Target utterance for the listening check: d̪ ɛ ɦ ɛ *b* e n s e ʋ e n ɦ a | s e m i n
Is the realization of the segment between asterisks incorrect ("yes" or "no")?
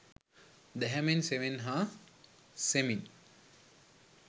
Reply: yes